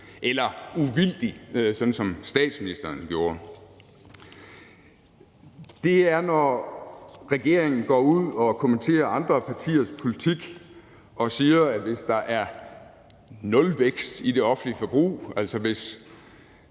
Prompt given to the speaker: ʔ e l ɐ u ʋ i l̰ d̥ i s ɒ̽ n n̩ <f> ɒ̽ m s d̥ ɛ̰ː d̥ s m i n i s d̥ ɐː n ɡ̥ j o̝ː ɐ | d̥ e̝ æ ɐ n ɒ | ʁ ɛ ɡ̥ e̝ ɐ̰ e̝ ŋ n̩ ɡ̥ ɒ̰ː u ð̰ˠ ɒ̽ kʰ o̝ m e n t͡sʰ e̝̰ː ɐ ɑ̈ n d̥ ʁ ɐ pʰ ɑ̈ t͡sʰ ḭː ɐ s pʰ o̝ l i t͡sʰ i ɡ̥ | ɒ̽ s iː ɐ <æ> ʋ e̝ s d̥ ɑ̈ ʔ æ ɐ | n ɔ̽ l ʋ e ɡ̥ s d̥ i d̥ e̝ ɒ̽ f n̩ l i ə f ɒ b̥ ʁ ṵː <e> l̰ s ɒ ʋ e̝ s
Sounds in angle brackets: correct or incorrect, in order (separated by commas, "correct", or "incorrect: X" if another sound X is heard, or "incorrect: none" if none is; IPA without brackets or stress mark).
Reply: incorrect: s, correct, incorrect: æ